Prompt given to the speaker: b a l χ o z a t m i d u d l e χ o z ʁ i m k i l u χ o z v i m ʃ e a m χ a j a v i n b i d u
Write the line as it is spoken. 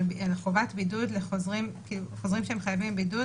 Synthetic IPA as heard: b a l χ o v a t b i d u d l e χ o z ʁ i m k i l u χ o z ʁ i m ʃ e e m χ a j a v i m b i d u